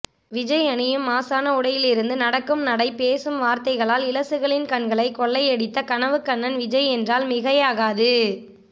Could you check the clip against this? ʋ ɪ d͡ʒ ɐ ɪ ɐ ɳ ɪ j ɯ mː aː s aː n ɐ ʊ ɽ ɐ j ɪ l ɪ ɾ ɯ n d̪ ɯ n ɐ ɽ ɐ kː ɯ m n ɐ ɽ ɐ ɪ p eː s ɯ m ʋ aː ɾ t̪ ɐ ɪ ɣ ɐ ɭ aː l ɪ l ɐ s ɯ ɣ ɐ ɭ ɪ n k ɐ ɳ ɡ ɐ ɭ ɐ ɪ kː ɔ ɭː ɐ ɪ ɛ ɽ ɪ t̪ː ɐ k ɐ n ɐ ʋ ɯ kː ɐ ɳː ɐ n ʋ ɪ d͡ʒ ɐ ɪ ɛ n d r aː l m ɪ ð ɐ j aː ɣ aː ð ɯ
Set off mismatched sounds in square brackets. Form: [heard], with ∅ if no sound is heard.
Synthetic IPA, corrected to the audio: ʋ ɪ d͡ʒ ɐ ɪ ɐ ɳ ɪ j ɯ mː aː s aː n ɐ ʊ ɽ ɐ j ɪ l ɪ ɾ ɯ n d̪ ɯ n ɐ ɽ ɐ kː ɯ m n ɐ ɽ ɐ ɪ p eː s ɯ m ʋ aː ɾ t̪ ɐ ɪ ɣ ɐ ɭ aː l ɪ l ɐ s ɯ ɣ ɐ ɭ ɪ n k ɐ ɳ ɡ ɐ ɭ ɐ ɪ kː ɔ ɭː ɐ ɪ ɛ ɽ ɪ t̪ː ɐ k ɐ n ɐ ʋ ɯ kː ɐ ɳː ɐ n ʋ ɪ d͡ʒ ɐ ɪ ɛ n d r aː l m ɪ [ɣ] ɐ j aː ɣ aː ð ɯ